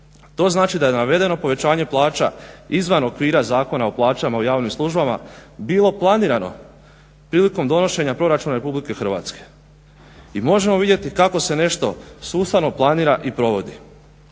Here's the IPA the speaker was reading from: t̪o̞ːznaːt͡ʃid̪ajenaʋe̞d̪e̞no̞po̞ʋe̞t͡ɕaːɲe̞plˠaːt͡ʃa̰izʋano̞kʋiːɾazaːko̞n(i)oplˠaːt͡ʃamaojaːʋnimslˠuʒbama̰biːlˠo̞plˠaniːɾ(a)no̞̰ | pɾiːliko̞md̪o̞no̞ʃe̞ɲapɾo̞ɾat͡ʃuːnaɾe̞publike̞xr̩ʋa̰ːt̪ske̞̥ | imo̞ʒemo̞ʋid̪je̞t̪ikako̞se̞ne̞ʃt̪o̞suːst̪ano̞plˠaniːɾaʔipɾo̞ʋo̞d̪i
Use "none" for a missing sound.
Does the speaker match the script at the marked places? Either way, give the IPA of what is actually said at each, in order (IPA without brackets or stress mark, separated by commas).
a, a